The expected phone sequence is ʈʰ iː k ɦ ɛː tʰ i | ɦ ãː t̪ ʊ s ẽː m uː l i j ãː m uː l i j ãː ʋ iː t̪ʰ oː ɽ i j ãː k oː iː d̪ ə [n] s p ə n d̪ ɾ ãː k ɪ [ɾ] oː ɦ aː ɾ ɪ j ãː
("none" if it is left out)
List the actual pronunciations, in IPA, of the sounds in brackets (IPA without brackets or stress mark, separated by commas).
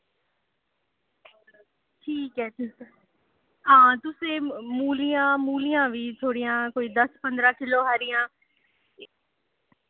none, l